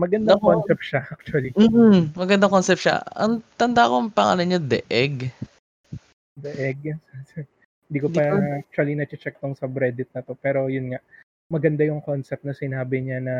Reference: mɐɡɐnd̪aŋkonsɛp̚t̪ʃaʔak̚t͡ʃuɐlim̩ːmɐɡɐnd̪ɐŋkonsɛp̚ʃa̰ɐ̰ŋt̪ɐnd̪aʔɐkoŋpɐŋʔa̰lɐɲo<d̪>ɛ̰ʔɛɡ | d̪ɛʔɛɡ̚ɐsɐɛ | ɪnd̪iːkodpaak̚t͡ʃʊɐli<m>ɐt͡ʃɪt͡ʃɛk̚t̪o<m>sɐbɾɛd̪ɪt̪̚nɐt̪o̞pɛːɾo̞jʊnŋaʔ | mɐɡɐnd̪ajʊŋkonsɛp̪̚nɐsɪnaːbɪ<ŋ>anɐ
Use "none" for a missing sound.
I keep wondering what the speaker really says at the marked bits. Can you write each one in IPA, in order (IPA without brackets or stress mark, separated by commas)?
d̪, n, ŋ, ɲ